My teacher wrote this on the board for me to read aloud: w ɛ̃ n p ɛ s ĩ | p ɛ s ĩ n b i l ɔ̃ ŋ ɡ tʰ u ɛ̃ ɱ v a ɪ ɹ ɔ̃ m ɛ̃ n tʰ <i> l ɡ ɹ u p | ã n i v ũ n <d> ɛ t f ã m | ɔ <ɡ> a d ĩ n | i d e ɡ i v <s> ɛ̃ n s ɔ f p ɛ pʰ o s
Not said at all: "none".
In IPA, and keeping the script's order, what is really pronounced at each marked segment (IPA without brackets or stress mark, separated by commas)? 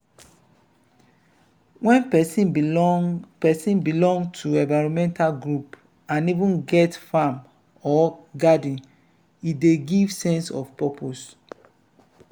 a, ɡ, ɡ, s